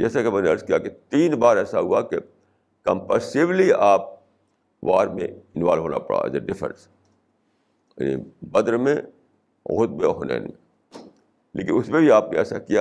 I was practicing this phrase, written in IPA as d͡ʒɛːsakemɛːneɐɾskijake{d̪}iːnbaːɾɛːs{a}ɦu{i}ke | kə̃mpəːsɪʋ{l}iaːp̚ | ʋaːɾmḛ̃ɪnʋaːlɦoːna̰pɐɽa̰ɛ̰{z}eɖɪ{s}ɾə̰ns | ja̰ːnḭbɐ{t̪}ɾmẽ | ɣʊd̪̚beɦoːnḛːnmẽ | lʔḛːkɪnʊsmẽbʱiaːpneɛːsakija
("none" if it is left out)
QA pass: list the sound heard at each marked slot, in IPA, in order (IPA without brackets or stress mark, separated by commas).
t̪, a, a, l, z, f, d̪